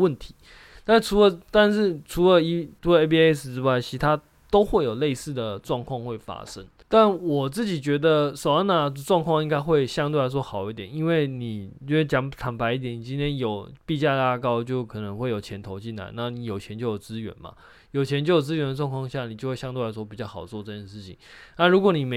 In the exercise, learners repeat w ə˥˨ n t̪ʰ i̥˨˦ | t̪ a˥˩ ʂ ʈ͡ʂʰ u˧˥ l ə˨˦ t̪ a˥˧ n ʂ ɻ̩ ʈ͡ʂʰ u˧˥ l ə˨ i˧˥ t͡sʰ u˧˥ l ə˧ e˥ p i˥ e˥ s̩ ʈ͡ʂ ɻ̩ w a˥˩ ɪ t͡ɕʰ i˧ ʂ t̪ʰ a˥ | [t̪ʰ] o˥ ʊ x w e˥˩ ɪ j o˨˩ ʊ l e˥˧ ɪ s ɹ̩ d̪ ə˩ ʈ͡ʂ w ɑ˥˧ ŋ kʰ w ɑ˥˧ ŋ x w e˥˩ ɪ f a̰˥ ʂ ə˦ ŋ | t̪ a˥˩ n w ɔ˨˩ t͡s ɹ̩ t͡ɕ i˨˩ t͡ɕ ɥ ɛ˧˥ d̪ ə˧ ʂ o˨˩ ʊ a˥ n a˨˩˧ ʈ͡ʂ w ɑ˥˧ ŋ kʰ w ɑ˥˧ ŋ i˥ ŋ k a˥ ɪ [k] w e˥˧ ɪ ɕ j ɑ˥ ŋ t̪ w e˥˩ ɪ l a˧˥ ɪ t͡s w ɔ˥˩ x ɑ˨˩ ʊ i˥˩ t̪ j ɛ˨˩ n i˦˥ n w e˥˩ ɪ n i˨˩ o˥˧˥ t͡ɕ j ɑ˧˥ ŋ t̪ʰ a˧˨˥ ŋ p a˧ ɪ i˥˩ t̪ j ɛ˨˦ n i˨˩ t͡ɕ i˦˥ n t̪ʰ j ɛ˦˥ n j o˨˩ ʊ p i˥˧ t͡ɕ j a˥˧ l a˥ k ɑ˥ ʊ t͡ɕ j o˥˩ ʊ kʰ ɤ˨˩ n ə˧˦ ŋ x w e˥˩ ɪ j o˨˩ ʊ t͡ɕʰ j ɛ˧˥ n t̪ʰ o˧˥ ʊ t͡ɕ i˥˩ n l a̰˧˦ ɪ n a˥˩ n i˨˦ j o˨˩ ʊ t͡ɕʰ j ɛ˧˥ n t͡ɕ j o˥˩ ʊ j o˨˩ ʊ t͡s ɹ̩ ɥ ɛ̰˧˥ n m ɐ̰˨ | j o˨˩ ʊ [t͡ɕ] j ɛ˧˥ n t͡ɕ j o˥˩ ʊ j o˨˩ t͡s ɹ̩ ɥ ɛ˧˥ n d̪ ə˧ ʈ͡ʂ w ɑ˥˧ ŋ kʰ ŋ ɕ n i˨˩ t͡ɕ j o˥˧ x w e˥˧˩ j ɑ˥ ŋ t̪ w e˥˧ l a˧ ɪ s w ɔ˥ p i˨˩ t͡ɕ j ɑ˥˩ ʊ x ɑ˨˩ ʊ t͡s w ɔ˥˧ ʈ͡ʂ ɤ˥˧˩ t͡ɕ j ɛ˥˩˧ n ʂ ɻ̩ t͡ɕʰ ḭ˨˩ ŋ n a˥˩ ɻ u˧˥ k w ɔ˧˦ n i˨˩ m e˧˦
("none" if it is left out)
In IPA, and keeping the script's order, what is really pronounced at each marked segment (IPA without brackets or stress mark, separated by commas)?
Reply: t̪, x, t͡ɕʰ